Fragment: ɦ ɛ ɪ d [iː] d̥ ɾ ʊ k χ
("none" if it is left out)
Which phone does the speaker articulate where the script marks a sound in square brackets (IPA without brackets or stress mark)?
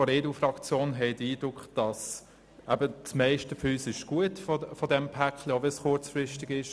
iː